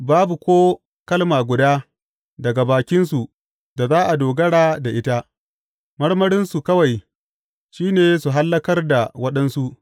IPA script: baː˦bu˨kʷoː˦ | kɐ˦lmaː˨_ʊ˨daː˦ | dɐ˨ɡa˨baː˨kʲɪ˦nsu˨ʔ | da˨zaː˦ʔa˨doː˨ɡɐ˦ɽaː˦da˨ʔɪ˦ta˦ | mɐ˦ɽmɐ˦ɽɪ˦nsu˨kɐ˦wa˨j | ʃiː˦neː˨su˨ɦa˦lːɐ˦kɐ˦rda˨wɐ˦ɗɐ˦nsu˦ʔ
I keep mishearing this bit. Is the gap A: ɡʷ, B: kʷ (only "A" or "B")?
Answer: A